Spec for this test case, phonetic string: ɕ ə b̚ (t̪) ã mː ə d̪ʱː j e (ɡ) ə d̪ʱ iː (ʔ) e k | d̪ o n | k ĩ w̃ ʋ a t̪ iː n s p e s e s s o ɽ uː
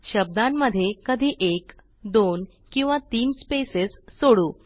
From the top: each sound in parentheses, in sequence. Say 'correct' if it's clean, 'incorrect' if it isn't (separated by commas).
incorrect, incorrect, correct